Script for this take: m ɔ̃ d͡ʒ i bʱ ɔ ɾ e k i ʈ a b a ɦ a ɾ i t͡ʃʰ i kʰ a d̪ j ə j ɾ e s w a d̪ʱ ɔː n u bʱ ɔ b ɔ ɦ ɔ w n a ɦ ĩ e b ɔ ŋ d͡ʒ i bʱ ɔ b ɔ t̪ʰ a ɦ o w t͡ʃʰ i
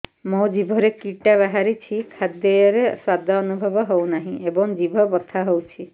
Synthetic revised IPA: m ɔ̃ d͡ʒ i bʱ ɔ ɾ e k i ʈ a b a ɦ a ɾ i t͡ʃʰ i kʰ a d̪ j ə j ɾ e s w a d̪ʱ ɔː n u bʱ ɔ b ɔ ɦ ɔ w n a ɦ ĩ e b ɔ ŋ d͡ʒ i bʱ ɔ b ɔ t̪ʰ a ɦ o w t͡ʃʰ i